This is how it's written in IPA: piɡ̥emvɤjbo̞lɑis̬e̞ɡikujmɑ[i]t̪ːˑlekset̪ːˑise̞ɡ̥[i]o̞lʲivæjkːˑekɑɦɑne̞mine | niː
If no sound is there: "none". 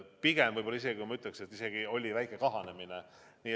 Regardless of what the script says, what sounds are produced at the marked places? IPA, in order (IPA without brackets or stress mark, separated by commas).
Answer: y, i